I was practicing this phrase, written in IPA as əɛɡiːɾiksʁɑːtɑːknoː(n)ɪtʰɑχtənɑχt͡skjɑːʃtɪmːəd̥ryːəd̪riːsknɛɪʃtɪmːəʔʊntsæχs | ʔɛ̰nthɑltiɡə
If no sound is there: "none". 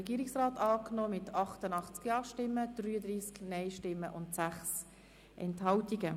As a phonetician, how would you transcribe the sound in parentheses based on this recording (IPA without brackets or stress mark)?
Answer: m